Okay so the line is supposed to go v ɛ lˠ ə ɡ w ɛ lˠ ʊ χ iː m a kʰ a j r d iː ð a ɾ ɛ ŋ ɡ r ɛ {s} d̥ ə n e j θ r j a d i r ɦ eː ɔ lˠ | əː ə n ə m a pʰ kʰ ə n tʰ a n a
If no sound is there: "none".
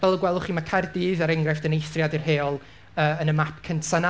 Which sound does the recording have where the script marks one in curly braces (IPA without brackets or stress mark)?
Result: f